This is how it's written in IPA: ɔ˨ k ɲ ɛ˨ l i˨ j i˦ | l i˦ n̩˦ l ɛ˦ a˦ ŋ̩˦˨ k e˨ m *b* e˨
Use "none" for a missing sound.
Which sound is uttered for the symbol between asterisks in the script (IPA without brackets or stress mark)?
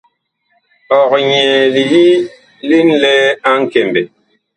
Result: b